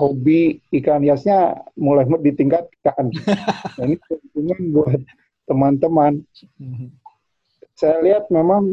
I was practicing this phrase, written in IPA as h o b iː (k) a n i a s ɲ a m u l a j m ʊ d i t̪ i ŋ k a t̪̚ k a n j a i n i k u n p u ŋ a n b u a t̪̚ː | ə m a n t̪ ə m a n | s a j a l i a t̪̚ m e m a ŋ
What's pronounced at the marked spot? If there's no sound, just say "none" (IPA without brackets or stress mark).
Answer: k